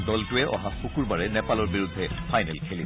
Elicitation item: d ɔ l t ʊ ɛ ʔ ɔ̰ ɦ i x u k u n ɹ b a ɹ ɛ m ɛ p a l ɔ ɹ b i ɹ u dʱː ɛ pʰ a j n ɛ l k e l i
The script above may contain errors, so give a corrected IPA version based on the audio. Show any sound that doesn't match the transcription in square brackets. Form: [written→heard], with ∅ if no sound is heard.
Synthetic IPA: d ɔ l t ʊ ɛ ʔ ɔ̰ ɦ [i→a] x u k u [n→∅] ɹ b a ɹ ɛ [m→n] ɛ p a l ɔ ɹ b i ɹ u dʱː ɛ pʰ a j n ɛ l [k→kʰ] e l i